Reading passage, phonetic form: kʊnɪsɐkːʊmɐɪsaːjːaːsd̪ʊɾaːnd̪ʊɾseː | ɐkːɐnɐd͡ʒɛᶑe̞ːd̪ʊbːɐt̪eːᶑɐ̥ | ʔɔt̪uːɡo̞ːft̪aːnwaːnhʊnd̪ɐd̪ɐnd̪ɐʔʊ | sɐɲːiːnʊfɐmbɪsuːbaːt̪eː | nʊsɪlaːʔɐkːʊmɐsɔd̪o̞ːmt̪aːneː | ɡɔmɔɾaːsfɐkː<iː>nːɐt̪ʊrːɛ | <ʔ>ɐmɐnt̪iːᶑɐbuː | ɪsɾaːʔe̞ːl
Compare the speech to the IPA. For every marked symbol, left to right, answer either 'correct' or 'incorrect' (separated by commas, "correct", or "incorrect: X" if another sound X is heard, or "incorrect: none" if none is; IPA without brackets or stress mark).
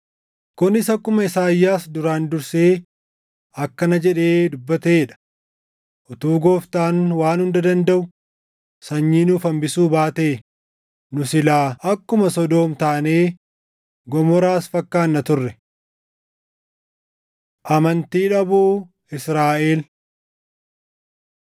incorrect: aː, correct